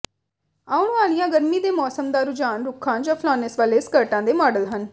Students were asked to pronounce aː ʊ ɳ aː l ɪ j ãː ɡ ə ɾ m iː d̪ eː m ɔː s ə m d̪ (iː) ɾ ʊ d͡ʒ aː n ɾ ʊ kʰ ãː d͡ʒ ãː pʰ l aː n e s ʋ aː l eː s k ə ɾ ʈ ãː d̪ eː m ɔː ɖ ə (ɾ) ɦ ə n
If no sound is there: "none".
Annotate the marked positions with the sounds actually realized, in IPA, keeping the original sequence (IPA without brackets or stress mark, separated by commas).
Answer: aː, l